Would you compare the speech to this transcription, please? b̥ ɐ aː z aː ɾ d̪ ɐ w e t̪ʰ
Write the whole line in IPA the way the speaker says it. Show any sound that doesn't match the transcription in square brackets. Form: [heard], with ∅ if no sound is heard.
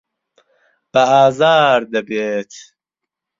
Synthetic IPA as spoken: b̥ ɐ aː z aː ɾ d̪ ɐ [b] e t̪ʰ